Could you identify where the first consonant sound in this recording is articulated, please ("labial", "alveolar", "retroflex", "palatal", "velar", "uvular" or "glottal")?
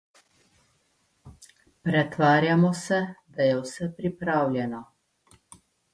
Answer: labial